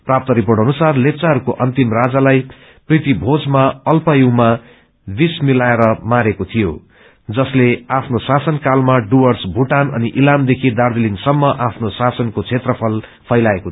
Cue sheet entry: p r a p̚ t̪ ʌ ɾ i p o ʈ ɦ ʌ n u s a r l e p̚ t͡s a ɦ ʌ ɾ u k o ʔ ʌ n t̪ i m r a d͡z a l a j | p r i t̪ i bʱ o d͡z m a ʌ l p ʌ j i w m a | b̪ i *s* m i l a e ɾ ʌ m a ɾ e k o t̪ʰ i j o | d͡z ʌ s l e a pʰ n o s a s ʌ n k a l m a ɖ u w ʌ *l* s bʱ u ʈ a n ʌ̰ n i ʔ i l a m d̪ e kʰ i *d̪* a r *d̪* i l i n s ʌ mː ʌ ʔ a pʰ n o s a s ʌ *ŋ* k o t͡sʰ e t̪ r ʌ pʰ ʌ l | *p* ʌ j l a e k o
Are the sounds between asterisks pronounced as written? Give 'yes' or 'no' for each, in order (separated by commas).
yes, no, yes, yes, no, no